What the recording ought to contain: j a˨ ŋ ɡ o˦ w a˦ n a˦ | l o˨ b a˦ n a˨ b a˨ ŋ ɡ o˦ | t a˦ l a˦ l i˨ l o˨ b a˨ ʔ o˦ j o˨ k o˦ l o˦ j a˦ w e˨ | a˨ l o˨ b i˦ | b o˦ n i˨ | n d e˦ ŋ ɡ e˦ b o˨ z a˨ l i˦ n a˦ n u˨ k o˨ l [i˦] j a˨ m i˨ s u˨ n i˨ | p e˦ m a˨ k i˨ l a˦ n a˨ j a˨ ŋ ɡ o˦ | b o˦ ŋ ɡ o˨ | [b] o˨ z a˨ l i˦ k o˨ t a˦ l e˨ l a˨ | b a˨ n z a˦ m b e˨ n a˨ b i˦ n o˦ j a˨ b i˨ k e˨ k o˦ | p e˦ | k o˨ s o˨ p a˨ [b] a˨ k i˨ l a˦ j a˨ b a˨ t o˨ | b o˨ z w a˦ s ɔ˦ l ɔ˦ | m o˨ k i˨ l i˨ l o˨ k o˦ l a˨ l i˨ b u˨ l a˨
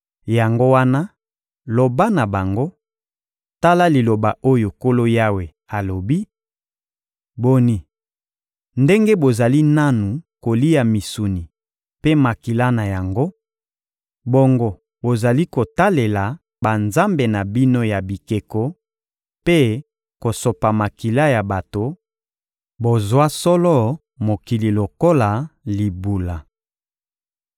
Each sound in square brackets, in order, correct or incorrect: correct, correct, incorrect

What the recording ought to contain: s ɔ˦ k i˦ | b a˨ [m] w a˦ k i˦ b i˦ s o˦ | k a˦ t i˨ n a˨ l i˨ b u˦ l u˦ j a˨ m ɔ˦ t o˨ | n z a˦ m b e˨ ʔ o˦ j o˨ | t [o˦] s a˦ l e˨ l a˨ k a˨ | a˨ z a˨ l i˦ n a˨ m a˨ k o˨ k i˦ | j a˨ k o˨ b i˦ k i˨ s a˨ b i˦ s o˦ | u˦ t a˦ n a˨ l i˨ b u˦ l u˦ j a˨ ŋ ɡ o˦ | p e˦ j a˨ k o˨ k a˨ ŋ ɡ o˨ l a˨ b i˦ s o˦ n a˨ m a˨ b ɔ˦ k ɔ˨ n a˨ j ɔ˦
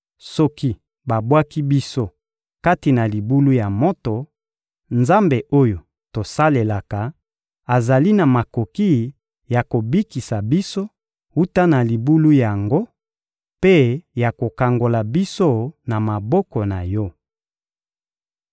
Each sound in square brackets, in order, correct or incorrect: incorrect, incorrect

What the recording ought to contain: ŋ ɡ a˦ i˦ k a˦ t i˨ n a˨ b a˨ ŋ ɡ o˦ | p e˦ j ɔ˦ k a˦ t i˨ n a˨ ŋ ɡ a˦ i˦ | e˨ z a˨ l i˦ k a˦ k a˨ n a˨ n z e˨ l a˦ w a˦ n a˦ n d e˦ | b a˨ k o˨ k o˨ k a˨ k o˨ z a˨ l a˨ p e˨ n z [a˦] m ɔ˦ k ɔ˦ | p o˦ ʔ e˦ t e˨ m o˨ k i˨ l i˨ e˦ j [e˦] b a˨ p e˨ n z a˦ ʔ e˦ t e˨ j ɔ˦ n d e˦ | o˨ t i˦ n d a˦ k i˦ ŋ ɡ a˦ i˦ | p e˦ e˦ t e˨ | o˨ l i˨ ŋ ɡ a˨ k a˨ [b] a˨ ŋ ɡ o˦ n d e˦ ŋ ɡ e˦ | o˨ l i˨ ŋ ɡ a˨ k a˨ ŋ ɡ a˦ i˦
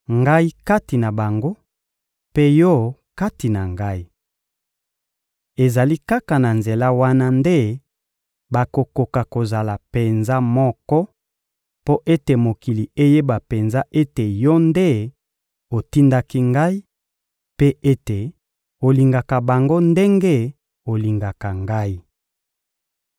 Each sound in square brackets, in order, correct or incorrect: correct, correct, correct

